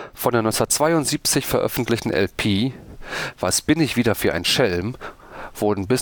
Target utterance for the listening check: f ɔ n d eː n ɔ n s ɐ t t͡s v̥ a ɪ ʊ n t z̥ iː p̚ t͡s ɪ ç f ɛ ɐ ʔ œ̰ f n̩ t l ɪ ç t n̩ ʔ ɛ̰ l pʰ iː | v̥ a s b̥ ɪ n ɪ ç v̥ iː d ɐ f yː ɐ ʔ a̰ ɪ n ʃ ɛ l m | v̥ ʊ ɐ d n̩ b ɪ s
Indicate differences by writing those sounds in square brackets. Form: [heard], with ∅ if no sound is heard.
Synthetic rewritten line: f ɔ n d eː n ɔ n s ɐ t t͡s v̥ a ɪ ʊ n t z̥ iː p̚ t͡s ɪ ç f ɛ ɐ ʔ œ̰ f n̩ t l ɪ ç t n̩ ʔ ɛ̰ l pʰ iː | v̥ a s b̥ ɪ n ɪ ç v̥ iː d ɐ f yː ɐ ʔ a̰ ɪ n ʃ ɛ l m | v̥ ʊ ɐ d n̩ b ɪ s

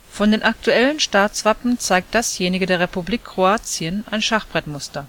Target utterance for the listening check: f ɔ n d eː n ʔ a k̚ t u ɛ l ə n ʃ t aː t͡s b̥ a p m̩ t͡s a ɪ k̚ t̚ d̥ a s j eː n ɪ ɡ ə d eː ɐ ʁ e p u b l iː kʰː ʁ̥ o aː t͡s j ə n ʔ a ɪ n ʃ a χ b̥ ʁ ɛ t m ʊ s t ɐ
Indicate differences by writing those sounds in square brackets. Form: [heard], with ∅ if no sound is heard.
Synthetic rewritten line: f ɔ n d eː n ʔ a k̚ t u ɛ l ə n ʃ t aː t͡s [v̥] a p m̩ t͡s a ɪ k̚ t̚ d̥ a s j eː n ɪ ɡ ə d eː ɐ ʁ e p u b l iː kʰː ʁ̥ o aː t͡s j ə n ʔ a ɪ n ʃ a χ b̥ ʁ ɛ t m ʊ s t ɐ

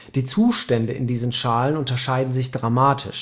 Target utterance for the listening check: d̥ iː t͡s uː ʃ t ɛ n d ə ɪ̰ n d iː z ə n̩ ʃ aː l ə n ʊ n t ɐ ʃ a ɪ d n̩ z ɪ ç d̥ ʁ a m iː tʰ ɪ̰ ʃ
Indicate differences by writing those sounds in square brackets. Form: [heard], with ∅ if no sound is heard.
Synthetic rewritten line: d̥ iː t͡s uː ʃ t ɛ n d ə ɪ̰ n d iː z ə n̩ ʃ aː l ə n ʊ n t ɐ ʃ a ɪ d n̩ z ɪ ç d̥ ʁ a m [aː] tʰ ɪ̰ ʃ

